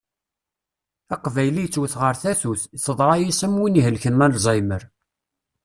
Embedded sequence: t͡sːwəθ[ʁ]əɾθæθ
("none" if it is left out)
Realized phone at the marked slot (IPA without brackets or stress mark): ʁ